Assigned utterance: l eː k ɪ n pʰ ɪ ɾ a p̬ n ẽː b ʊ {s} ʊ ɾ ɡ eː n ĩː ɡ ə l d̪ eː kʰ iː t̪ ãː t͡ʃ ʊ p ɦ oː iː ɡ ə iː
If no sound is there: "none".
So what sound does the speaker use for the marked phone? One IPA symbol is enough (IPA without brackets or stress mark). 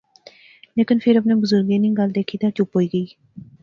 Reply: z